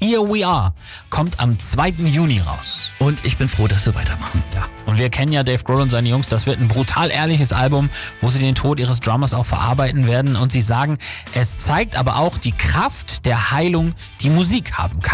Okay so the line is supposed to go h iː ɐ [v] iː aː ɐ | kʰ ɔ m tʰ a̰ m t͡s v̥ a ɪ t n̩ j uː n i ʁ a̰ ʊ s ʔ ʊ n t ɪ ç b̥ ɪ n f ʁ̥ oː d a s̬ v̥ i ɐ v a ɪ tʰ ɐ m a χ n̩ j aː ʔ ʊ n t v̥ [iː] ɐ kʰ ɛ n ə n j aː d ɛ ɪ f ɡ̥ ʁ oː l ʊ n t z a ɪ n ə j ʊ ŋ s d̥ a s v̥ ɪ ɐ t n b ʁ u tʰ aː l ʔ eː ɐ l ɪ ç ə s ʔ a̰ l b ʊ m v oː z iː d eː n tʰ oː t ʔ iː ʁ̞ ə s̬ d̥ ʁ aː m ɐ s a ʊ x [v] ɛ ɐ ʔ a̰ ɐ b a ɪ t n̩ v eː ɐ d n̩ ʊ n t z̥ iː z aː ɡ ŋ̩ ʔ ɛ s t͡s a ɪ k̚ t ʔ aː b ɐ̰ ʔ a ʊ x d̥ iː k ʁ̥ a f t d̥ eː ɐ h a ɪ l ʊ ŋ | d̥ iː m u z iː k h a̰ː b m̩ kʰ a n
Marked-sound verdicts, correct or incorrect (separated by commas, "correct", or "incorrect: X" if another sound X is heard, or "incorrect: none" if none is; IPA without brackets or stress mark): incorrect: w, correct, incorrect: f